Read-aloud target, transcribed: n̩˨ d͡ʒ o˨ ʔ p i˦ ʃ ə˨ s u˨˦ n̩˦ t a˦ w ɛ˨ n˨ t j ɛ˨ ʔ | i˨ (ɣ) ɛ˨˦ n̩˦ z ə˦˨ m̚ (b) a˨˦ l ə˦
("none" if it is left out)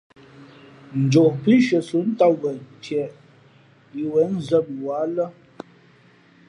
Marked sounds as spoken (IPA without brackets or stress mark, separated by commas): w, w